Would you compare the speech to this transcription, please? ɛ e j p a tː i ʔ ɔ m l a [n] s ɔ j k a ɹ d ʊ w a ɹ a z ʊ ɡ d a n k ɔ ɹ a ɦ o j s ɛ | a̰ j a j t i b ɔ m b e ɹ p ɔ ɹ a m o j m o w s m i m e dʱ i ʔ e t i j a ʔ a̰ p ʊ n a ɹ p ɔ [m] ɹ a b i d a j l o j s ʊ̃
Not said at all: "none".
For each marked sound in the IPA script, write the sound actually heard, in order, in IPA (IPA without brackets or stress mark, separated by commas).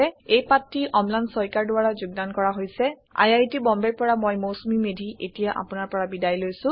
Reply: n, none